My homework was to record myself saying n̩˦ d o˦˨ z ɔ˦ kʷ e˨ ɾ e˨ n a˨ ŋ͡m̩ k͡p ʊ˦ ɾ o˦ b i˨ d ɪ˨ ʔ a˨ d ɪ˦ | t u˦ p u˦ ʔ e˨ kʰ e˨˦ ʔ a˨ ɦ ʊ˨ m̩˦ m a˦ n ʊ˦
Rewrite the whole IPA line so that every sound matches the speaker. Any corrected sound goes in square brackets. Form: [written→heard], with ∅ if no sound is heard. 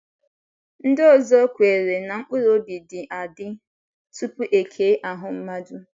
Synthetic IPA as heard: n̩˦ d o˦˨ z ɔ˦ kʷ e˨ ɾ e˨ n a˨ ŋ͡m̩ k͡p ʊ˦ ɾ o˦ b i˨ d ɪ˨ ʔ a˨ d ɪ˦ | t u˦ p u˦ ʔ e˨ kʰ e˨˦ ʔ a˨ ɦ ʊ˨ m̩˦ m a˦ [n→d] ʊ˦